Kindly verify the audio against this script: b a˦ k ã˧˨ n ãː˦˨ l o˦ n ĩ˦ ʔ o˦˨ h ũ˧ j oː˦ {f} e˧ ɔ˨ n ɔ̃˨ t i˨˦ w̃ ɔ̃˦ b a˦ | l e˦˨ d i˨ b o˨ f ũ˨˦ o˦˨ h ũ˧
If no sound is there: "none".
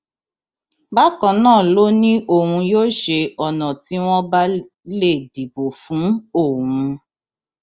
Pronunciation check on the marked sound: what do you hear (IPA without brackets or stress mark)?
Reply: ʃ